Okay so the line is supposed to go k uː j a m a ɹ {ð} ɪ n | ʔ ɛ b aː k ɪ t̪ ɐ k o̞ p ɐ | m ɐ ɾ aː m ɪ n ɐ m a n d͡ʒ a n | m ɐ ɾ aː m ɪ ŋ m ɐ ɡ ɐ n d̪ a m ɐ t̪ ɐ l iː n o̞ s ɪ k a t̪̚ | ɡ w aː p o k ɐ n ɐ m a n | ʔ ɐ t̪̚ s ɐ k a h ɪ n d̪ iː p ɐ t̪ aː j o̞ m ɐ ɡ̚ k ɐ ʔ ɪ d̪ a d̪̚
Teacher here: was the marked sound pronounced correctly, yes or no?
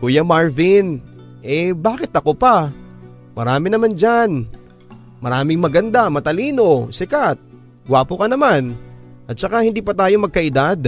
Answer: no